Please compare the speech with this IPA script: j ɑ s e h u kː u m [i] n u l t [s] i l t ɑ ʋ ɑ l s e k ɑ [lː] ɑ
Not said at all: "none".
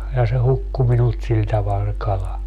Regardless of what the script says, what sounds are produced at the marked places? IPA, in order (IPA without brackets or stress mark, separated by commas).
i, s, l